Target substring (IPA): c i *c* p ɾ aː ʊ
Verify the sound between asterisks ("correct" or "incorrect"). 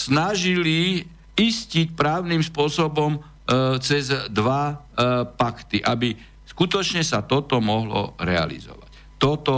correct